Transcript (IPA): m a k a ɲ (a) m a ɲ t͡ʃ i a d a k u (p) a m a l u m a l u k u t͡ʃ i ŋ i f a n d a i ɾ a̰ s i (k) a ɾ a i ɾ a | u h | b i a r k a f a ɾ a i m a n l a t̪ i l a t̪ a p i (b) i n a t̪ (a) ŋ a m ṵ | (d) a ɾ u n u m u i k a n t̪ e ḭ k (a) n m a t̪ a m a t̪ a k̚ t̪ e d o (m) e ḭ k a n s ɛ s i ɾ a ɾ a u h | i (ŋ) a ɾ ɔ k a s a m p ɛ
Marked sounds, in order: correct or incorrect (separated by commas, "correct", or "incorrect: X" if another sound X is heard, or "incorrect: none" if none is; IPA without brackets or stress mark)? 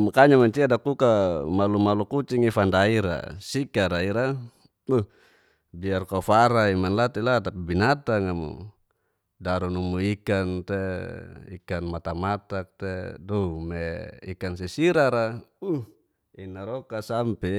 correct, incorrect: k, correct, correct, correct, correct, correct, correct, incorrect: n